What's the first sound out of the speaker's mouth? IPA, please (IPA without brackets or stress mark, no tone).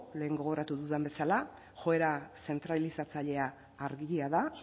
l